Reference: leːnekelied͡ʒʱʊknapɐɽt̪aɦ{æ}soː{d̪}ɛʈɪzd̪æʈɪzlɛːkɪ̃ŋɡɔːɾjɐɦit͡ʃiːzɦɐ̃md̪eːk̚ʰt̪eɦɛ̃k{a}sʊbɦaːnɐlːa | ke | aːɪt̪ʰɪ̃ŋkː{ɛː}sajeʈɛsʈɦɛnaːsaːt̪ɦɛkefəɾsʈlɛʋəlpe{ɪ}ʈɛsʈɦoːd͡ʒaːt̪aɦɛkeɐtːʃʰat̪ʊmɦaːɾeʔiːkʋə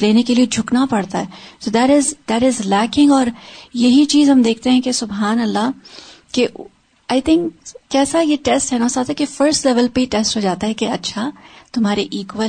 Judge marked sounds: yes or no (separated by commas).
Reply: no, yes, no, yes, no